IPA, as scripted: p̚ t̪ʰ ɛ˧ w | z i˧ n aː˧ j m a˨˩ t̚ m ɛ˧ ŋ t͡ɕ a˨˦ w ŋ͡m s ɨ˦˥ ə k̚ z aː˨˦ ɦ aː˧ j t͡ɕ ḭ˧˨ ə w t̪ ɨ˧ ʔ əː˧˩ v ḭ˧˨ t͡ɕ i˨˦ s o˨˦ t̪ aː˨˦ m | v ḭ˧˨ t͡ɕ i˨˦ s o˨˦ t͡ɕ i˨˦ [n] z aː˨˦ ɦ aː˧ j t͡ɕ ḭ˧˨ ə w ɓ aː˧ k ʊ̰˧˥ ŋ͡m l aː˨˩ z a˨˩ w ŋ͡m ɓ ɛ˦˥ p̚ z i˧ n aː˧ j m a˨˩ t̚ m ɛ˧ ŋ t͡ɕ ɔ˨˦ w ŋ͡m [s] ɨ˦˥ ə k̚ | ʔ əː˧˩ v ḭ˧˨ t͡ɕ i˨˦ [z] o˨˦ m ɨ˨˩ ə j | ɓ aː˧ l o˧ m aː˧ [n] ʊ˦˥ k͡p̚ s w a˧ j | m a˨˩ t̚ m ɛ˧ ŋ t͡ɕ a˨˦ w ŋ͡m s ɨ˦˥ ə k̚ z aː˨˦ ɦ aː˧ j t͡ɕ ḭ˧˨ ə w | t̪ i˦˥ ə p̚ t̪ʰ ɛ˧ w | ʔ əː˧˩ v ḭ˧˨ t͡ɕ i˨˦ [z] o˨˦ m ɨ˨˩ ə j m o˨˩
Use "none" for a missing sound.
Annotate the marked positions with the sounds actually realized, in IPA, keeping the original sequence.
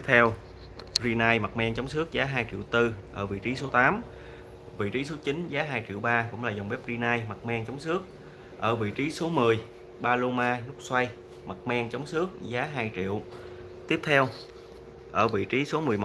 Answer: n, s, s, n, s

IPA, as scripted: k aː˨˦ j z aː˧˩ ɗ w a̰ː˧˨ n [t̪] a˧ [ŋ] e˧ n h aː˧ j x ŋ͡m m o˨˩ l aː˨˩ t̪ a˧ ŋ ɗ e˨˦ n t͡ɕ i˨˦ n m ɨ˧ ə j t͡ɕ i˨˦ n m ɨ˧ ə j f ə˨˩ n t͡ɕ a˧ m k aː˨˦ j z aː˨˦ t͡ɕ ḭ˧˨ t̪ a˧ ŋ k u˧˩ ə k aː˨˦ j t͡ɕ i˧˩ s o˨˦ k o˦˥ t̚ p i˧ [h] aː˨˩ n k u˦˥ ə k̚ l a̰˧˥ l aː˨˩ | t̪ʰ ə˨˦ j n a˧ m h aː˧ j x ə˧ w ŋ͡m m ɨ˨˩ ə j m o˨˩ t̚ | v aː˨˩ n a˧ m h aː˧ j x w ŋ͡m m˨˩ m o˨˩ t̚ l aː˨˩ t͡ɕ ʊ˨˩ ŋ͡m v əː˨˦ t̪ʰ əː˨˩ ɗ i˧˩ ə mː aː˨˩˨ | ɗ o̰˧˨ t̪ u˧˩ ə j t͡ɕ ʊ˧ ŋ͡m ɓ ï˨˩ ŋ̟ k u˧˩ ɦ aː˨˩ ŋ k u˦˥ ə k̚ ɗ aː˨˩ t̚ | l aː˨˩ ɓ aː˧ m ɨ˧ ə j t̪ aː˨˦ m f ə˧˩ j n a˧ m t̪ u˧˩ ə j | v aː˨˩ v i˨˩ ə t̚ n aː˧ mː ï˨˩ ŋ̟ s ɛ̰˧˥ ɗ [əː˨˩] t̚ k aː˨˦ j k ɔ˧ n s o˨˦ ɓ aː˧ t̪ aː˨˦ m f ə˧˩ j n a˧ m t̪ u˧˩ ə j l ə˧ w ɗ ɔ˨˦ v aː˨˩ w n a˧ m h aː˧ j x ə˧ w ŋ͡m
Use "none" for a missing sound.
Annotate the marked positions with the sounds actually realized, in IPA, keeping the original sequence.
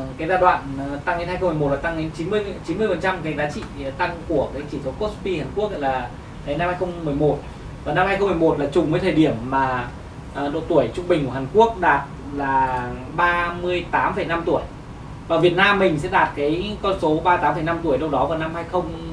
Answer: t̪, ŋ, h, aː˨˩

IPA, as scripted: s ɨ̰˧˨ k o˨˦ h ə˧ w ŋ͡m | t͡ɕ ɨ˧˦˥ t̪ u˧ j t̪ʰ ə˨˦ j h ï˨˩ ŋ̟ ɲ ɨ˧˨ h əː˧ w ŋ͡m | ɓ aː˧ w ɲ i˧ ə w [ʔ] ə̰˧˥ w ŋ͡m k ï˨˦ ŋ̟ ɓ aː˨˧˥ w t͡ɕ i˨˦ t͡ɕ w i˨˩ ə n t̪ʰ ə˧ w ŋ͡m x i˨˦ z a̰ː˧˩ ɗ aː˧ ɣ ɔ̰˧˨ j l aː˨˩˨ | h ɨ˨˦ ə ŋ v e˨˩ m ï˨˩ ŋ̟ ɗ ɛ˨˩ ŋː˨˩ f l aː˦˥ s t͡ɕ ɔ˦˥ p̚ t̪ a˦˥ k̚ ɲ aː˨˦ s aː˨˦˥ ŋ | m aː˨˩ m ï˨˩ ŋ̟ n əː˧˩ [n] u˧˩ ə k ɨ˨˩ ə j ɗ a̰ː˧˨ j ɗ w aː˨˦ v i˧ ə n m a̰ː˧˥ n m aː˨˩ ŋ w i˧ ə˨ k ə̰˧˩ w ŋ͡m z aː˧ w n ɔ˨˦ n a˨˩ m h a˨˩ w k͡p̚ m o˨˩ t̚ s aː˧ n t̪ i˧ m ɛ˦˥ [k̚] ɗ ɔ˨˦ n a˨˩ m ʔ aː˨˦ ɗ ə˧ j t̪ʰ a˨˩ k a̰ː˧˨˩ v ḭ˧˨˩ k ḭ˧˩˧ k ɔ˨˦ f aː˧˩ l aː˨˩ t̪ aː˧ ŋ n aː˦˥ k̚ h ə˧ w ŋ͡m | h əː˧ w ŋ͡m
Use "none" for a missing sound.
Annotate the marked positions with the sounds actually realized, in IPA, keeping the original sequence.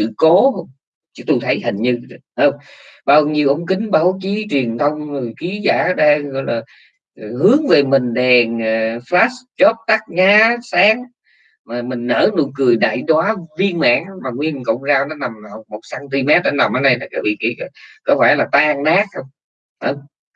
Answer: ʔ, n, t̚

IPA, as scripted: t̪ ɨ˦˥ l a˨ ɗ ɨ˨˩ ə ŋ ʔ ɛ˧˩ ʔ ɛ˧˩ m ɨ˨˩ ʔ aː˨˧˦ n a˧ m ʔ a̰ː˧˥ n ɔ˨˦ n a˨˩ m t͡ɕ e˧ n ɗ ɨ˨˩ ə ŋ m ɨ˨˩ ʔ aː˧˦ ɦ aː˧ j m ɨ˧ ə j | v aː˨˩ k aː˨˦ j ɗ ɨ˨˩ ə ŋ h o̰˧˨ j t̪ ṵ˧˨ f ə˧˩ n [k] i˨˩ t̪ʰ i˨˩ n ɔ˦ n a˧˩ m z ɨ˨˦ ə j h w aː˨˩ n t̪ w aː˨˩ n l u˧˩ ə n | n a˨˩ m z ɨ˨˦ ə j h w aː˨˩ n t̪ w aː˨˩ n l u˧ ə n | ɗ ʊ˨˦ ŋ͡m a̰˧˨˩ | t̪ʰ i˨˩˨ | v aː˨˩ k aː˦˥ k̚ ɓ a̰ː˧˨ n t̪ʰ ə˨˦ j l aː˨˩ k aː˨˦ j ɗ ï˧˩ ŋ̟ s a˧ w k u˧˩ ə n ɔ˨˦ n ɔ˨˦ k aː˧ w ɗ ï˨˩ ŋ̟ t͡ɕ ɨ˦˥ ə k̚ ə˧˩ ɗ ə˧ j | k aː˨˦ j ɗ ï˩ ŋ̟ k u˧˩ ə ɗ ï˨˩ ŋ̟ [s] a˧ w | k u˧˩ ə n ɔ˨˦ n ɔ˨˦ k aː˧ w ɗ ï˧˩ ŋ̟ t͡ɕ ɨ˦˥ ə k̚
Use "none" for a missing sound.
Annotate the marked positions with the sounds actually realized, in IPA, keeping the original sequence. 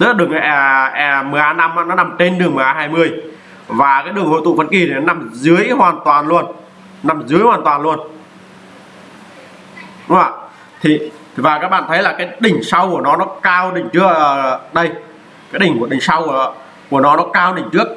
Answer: k, s

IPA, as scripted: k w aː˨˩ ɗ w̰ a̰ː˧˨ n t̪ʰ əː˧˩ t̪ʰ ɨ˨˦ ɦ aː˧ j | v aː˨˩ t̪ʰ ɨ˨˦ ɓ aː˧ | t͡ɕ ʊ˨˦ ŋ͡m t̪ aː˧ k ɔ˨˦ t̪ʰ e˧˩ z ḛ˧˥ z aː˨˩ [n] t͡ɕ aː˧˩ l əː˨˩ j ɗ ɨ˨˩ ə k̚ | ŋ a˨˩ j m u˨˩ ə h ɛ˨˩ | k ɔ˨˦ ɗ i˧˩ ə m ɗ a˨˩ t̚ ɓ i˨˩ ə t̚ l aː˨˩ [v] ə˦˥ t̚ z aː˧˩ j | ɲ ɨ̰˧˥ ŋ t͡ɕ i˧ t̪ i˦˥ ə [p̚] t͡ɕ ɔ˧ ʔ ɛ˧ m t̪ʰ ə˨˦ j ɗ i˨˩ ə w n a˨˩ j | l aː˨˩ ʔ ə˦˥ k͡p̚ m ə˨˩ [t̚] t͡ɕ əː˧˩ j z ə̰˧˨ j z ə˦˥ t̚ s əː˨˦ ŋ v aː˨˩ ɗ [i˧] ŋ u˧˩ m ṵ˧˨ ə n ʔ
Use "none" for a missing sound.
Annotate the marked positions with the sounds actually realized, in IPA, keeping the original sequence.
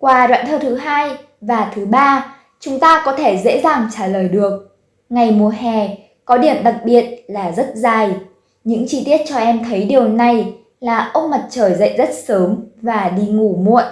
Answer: ŋ, z, t̚, t̚, i˧

